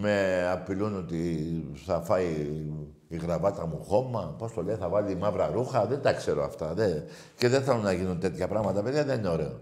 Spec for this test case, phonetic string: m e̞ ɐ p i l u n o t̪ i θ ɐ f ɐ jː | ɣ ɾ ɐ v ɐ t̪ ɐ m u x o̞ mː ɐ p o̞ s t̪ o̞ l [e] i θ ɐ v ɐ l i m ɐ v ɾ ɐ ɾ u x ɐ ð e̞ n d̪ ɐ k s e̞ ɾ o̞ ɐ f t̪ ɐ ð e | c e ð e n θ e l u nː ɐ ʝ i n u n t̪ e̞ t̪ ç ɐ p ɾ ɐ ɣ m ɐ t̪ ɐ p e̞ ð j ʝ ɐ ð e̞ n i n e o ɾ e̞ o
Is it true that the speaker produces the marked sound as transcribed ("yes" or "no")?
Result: yes